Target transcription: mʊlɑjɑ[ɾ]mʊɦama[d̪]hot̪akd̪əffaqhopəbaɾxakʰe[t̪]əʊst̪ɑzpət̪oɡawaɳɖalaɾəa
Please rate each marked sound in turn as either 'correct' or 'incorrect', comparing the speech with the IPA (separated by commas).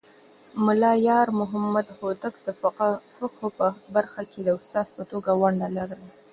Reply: correct, correct, incorrect